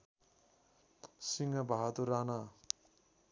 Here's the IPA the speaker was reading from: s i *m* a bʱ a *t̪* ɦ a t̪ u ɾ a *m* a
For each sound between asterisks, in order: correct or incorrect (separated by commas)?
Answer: incorrect, incorrect, incorrect